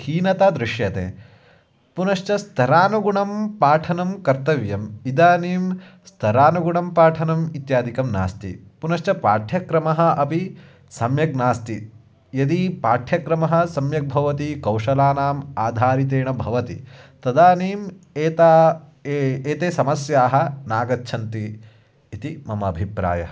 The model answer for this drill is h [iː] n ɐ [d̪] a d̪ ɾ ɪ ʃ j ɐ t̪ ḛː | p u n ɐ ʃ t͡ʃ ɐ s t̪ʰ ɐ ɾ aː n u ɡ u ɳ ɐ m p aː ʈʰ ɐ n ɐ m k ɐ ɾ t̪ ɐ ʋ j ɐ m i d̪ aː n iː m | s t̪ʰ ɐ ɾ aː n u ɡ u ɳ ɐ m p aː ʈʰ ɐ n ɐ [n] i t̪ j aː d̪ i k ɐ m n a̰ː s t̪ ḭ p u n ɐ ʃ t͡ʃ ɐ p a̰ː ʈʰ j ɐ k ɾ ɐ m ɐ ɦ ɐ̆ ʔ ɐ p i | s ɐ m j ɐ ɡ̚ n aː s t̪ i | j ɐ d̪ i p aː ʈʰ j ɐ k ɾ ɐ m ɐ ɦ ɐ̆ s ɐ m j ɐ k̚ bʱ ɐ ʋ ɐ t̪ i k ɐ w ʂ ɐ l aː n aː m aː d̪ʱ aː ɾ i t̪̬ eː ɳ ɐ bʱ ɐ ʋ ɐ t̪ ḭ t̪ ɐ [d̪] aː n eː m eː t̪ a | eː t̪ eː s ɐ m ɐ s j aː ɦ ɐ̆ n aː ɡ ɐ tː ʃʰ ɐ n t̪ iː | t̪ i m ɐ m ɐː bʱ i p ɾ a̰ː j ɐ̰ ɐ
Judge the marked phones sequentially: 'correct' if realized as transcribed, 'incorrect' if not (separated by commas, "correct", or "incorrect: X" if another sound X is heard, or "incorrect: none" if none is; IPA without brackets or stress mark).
correct, incorrect: t̪, incorrect: m, correct